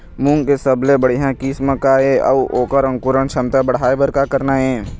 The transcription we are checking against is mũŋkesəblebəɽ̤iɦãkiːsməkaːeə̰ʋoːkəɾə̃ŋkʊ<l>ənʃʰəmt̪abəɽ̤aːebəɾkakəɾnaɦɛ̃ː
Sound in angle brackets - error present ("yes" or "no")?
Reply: yes